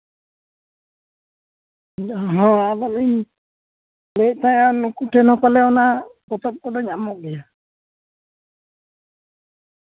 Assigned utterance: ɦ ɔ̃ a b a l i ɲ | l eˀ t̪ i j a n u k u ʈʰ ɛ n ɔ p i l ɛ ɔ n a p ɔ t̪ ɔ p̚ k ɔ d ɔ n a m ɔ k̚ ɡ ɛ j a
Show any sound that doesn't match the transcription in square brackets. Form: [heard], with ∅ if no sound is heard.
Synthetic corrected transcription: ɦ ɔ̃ a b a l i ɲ | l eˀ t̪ [a] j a n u k u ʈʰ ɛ n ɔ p [a] l ɛ ɔ n a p ɔ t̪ ɔ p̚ k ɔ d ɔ [ɲ] a m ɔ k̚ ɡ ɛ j a